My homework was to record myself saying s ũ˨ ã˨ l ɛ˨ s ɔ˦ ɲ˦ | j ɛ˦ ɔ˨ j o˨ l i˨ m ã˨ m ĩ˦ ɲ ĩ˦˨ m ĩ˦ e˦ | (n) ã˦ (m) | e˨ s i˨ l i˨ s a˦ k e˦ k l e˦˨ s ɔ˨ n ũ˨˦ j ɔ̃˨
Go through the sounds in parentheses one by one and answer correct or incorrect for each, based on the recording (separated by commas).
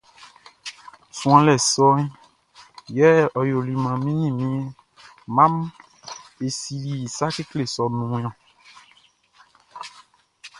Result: incorrect, correct